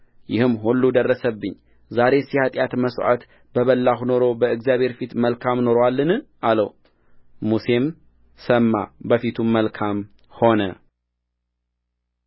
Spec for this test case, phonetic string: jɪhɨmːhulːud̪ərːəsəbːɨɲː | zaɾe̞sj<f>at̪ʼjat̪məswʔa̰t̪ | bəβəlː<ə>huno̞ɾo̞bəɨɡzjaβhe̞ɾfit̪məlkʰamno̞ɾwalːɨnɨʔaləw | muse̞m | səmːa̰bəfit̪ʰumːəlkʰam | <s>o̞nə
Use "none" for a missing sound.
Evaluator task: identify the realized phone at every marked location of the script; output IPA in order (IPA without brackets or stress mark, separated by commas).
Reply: h, a, h